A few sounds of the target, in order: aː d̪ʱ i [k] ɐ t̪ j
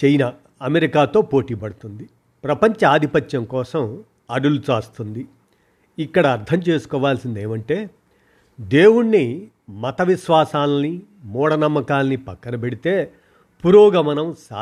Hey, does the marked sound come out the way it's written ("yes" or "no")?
no